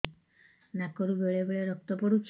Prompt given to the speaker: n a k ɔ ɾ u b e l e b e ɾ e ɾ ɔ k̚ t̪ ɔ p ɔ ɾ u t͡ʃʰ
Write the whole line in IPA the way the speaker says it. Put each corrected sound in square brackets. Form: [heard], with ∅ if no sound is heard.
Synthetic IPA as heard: n a k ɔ ɾ u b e [ɭ] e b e [ɭ] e ɾ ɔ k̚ t̪ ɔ p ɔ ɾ u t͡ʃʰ

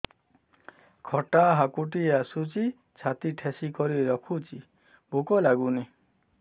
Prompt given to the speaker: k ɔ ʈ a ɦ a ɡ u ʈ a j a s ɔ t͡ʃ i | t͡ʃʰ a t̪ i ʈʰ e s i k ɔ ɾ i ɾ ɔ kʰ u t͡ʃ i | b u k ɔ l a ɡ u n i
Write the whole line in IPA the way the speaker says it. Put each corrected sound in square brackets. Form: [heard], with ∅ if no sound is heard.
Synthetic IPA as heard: [kʰ] ɔ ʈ a ɦ a [k] u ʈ [i] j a s [u] t͡ʃ i | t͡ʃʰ a t̪ i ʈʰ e s i k ɔ ɾ i ɾ ɔ kʰ u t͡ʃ i | b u k ɔ l a ɡ u n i

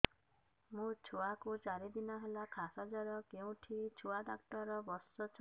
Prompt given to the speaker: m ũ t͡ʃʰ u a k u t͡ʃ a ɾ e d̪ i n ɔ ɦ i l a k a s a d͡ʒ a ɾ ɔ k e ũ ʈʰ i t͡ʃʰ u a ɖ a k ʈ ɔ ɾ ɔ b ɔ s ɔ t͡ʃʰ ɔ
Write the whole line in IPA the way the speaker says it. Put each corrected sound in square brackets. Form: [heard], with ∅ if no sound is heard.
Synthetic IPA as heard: m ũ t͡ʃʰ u a k u t͡ʃ a ɾ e d̪ i n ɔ ɦ [e] l a [kʰ] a s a d͡ʒ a ɾ ɔ k e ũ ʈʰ i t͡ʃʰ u a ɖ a k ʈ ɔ ɾ ɔ b ɔ s ɔ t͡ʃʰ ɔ

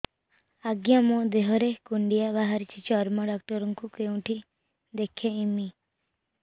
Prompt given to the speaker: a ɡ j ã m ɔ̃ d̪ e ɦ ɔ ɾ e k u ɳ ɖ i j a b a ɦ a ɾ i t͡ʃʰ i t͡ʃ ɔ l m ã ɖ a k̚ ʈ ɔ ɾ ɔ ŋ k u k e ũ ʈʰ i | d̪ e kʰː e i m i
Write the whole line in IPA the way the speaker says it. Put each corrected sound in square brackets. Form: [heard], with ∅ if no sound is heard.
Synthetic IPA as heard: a ɡ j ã m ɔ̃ d̪ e ɦ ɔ ɾ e k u ɳ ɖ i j a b a ɦ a ɾ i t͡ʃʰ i t͡ʃ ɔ [ɾ] m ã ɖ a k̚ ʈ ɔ ɾ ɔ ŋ k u k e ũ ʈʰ i | d̪ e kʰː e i m i

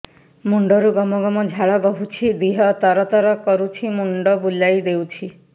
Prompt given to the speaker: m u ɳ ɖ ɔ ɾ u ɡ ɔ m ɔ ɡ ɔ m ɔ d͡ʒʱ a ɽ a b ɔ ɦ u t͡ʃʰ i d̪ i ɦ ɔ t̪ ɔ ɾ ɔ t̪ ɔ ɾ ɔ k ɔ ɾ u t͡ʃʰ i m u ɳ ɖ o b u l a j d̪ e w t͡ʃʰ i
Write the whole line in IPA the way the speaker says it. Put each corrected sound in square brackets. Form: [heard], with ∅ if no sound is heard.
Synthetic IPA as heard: m u ɳ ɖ ɔ ɾ u ɡ ɔ m ɔ ɡ ɔ m ɔ d͡ʒʱ a [ɭ] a b ɔ ɦ u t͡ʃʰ i d̪ i ɦ ɔ t̪ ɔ ɾ ɔ t̪ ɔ ɾ ɔ k ɔ ɾ u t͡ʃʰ i m u ɳ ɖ [ɔ] b u l a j d̪ e w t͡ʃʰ i

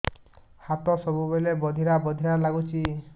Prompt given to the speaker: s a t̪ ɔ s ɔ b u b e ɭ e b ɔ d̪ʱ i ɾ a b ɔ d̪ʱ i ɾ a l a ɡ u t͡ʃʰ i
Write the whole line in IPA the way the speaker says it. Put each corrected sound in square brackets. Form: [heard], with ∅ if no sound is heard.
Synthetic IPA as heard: [h] a t̪ ɔ s ɔ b u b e [l] e b ɔ d̪ʱ i ɾ a b ɔ d̪ʱ i ɾ a l a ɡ u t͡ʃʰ i

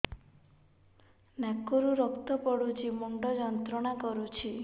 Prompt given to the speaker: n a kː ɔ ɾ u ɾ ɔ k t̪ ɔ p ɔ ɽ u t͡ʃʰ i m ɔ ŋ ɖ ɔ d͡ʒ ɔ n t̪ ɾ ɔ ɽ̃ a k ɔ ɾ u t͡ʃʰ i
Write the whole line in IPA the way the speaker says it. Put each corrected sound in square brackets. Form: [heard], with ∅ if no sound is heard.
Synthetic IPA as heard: n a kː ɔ ɾ u ɾ ɔ k t̪ ɔ p ɔ ɽ u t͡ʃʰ i m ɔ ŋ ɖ ɔ d͡ʒ ɔ n t̪ ɾ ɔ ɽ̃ a k ɔ ɾ u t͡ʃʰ i

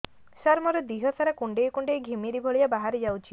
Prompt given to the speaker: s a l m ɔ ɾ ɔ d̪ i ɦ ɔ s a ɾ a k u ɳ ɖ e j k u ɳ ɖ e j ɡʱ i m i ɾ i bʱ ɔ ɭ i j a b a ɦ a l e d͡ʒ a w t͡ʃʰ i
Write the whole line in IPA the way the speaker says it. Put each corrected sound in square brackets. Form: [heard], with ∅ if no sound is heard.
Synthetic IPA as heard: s a [ɾ] m ɔ ɾ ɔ d̪ i ɦ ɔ s a ɾ a k u ɳ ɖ e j k u ɳ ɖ e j ɡʱ i m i ɾ i bʱ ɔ ɭ i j a b a ɦ a [ɾ] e d͡ʒ a w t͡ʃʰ i

